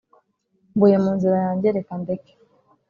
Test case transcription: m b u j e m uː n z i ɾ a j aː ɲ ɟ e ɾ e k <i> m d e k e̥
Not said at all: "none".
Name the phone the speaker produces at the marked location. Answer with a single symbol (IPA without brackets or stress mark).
a